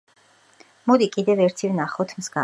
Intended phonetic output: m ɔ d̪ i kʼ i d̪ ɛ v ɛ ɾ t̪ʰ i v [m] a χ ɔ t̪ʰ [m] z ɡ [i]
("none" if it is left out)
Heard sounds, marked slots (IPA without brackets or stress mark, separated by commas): n, m, a